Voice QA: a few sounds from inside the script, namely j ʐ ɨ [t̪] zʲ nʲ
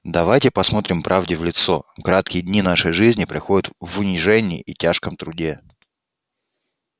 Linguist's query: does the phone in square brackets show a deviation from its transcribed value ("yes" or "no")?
yes